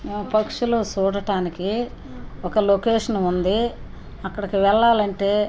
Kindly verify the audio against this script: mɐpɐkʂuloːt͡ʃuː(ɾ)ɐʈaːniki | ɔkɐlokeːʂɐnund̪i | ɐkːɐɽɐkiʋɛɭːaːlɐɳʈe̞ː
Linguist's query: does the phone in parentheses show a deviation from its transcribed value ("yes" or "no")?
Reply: yes